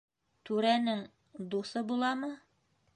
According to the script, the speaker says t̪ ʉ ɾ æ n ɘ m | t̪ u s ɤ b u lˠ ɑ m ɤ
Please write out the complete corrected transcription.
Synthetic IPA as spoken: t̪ ʉ ɾ æ n ɘ ŋ | d̪ u s ɤ b u lˠ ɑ m ɤ